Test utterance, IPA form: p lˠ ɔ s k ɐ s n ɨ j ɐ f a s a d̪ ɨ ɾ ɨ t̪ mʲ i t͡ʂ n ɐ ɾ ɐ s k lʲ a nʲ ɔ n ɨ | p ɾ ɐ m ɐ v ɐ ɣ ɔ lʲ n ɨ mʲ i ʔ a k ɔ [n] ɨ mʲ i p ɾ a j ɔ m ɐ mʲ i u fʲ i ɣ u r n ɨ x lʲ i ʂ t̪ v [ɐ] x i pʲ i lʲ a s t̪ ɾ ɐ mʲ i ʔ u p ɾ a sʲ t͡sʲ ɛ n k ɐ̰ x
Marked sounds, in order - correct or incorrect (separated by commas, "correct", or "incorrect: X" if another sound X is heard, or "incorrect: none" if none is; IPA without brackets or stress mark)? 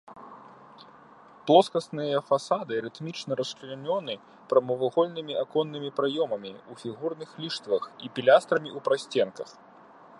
incorrect: nː, correct